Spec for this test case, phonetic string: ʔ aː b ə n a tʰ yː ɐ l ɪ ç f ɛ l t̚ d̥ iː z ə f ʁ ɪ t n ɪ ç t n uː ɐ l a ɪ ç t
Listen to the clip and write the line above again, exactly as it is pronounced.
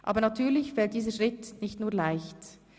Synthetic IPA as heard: ʔ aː b ə n a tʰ yː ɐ l ɪ ç f ɛ l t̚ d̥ iː z ə ʃ ʁ ɪ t n ɪ ç t n uː ɐ l a ɪ ç t